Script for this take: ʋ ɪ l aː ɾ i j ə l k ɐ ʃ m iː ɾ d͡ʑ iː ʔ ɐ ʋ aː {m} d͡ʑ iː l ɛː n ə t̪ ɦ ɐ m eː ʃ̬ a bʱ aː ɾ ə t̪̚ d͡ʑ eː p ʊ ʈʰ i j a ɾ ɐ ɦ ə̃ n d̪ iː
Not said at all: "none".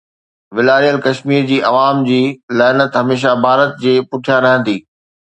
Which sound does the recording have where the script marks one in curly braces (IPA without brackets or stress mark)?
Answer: m